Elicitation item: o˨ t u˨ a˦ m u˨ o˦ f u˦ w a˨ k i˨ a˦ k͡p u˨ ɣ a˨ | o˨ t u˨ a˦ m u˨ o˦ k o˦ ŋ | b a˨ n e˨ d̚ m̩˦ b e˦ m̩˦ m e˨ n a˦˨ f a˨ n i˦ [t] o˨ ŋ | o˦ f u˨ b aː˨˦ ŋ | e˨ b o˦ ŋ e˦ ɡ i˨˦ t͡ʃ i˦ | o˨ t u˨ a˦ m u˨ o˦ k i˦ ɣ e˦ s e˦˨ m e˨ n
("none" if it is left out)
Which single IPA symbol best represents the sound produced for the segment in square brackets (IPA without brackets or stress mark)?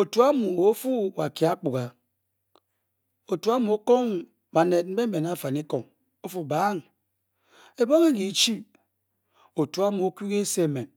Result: k